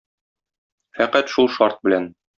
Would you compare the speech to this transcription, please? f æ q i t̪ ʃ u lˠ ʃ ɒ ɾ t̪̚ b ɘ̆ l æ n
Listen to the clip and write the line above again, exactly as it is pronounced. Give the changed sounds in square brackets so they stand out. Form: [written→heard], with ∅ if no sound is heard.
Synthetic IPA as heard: f æ q [i→æ] t̪ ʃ u lˠ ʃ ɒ ɾ t̪̚ b ɘ̆ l æ n